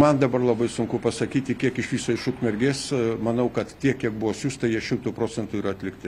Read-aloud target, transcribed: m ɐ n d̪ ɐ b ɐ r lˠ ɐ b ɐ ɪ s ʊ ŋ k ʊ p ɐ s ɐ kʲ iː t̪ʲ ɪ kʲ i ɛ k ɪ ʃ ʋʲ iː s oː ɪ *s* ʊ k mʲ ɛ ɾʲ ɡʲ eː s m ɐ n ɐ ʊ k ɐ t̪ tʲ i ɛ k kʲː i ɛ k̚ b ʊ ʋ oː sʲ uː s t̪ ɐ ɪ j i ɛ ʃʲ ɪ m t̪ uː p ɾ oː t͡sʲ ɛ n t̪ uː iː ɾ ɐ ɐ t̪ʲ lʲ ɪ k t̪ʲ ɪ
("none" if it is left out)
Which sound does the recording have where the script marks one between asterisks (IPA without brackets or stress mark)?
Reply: ʃ